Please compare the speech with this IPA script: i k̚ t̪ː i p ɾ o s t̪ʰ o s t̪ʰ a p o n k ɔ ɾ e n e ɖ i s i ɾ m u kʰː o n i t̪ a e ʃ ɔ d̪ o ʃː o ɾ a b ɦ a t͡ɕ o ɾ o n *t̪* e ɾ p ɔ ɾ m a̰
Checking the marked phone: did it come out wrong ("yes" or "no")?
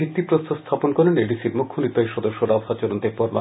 no